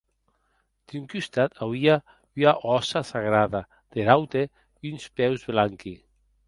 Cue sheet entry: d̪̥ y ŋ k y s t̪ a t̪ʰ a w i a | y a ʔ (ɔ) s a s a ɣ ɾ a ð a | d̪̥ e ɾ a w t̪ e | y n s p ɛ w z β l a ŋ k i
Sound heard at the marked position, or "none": ɔ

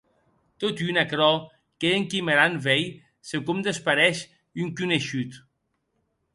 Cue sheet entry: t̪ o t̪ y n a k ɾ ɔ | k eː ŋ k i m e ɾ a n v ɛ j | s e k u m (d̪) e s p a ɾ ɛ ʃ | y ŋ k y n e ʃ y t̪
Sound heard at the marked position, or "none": d̪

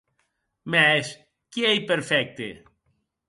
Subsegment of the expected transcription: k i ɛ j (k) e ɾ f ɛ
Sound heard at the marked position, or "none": p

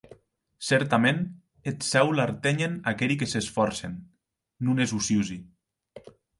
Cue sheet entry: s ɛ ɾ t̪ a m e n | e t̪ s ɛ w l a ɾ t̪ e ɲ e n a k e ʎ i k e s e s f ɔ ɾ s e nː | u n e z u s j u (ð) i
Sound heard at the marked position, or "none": z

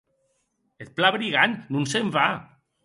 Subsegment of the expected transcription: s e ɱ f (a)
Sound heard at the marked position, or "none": a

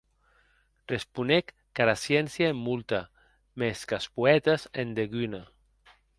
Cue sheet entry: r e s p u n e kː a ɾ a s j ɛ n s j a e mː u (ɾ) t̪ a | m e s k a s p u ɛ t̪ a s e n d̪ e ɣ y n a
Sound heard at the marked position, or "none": l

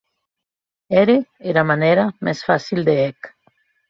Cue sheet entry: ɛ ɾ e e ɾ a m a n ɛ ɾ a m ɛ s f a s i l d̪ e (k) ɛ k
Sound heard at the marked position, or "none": none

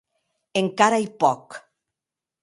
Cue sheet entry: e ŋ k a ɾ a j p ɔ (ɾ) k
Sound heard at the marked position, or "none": none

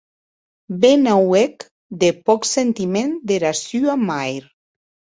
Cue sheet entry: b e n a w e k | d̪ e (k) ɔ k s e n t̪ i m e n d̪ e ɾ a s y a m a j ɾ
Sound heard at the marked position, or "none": p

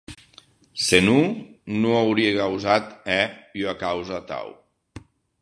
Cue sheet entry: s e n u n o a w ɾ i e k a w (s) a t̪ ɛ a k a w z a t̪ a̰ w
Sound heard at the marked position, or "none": z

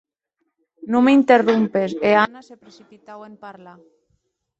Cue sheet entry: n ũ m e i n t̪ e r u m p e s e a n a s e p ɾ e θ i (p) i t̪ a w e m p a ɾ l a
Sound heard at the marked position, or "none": p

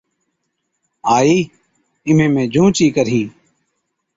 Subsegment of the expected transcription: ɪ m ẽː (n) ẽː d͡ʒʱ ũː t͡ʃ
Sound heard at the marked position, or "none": m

